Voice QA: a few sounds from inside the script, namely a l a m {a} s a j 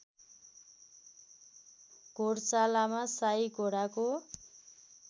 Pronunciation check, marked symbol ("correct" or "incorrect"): correct